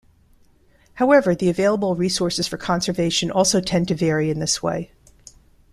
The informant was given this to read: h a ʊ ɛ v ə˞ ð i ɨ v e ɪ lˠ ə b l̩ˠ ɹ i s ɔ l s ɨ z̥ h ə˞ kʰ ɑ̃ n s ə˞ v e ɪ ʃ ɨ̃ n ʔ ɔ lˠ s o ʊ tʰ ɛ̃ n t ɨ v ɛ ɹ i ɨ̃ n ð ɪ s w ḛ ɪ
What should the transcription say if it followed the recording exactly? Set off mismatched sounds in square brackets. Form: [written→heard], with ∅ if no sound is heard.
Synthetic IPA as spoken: h a ʊ ɛ v ə˞ ð i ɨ v e ɪ lˠ ə b l̩ˠ ɹ i s ɔ [l→ɹ] s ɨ z̥ [h→f] ə˞ kʰ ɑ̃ n s ə˞ v e ɪ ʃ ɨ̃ n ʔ ɔ lˠ s o ʊ tʰ ɛ̃ n t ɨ v ɛ ɹ i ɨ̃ n ð ɪ s w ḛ ɪ